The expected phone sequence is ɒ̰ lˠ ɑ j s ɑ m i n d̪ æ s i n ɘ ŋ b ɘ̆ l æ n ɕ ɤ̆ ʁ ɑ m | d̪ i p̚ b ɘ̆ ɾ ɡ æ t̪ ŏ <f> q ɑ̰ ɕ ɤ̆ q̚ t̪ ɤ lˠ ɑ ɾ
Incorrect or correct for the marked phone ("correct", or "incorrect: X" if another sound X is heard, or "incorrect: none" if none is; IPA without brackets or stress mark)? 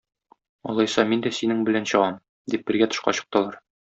incorrect: ʃ